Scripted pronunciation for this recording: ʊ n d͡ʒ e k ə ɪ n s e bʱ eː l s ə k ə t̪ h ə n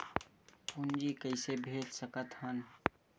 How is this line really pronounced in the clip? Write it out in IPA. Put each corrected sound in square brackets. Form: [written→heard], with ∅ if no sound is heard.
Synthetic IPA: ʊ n d͡ʒ [e→i] k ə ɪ [n→∅] s e bʱ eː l s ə k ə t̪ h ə n